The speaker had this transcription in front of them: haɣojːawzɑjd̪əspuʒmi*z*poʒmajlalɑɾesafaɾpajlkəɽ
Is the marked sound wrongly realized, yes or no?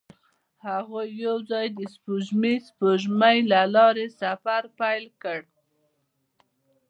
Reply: yes